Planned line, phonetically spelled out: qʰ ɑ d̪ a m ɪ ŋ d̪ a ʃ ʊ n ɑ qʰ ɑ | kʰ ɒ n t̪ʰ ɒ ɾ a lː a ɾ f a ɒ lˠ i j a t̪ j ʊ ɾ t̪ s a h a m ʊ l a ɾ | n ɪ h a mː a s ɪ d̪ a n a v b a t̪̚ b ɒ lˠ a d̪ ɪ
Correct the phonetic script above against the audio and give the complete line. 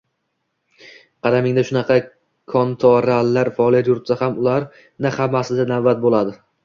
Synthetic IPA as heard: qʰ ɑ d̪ a m ɪ ŋ d̪ a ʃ ʊ n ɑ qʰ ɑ | kʰ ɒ n t̪ʰ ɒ ɾ a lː a ɾ f a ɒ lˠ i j a t̪ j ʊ ɾ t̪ s a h a m ʊ l a ɾ | n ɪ h a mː a s ɪ d̪ a n a v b a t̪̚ b o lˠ a d̪ ɪ